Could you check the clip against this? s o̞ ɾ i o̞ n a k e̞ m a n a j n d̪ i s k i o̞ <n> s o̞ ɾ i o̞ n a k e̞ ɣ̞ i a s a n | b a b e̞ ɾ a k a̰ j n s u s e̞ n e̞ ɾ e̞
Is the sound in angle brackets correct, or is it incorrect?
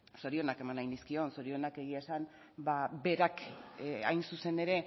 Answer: correct